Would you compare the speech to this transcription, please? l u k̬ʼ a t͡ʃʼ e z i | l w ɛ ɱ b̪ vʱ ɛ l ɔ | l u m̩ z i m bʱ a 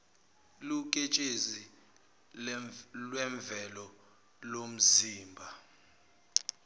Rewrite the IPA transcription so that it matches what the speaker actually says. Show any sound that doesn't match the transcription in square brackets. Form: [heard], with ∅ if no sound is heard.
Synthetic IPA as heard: l u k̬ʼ [e] t͡ʃʼ e z i | l w ɛ ɱ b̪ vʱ ɛ l ɔ | l [o] m̩ z [iː] m bʱ a